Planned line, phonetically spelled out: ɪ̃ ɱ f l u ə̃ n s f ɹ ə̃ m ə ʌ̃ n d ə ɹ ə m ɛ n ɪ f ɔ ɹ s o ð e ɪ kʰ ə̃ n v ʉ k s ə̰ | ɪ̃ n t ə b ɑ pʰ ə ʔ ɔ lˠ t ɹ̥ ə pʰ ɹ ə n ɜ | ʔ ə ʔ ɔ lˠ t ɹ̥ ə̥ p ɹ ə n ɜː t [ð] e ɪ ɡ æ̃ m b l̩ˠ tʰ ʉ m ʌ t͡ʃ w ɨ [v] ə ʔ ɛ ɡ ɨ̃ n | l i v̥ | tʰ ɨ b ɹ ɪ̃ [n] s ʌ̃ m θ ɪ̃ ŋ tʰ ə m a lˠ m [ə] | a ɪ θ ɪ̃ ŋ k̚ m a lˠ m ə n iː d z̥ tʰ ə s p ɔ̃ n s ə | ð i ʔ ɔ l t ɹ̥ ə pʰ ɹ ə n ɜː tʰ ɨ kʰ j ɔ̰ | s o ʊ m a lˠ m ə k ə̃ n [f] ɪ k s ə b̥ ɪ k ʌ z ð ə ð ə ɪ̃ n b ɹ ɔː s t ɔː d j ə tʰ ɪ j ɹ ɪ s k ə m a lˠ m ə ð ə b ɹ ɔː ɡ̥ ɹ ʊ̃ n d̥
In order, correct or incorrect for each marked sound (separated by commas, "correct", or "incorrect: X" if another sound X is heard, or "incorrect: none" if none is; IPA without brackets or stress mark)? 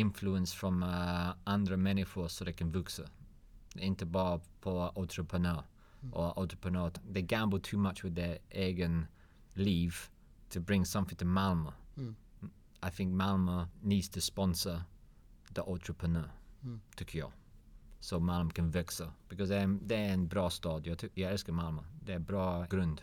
correct, incorrect: ð, incorrect: ŋ, correct, incorrect: v